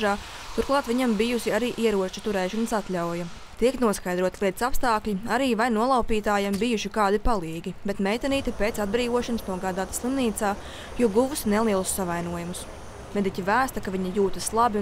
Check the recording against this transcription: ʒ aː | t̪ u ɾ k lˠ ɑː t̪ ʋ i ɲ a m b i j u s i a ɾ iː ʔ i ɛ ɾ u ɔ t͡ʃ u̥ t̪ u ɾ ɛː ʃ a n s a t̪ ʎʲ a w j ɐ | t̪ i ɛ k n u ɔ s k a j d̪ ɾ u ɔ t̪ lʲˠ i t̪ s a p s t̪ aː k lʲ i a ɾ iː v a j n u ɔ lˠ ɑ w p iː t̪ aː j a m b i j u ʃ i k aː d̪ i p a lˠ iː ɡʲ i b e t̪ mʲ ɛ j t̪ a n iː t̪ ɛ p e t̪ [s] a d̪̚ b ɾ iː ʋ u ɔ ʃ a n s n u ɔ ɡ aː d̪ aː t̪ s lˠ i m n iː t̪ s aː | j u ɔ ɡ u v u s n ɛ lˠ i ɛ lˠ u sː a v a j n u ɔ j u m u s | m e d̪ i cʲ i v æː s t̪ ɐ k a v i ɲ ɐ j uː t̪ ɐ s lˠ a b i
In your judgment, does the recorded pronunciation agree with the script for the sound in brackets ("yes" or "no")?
yes